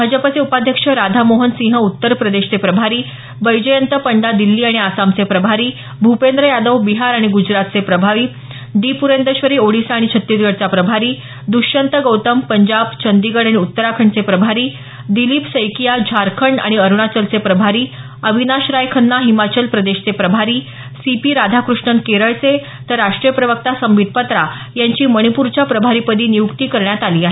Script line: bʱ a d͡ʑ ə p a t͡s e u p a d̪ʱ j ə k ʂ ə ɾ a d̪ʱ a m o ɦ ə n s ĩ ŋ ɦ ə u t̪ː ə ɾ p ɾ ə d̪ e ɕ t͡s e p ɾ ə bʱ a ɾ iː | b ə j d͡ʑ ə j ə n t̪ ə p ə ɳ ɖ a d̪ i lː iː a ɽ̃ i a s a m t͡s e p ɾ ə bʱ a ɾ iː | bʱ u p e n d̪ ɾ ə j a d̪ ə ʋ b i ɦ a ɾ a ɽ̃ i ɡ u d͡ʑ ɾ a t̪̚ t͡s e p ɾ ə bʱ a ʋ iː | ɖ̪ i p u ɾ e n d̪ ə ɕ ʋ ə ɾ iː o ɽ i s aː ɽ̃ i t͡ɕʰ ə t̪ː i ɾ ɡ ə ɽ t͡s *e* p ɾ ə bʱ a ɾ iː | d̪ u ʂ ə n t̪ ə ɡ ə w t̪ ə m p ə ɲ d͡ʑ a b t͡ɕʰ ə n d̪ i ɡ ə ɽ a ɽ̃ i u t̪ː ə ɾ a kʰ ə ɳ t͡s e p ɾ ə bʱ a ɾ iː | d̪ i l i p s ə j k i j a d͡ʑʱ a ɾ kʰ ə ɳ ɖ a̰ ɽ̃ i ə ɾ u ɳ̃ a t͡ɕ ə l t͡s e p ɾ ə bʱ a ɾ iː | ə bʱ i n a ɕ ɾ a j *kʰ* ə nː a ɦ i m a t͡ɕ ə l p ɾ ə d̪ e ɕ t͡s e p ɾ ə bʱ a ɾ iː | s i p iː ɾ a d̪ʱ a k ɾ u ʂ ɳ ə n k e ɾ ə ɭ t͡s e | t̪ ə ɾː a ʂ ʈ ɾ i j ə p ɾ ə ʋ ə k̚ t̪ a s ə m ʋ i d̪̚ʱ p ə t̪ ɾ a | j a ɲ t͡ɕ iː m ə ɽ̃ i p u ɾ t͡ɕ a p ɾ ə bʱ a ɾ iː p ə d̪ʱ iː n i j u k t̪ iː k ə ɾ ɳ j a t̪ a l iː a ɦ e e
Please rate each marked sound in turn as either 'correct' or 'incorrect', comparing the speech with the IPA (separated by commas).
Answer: incorrect, correct